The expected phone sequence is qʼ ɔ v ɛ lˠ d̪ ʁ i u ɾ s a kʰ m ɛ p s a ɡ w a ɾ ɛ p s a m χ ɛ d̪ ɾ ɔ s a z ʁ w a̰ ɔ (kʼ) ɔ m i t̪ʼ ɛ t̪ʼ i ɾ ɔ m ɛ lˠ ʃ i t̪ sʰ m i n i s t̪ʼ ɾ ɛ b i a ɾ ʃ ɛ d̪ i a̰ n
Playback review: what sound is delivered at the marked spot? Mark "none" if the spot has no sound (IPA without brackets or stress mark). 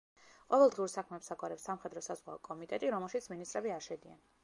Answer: kʼ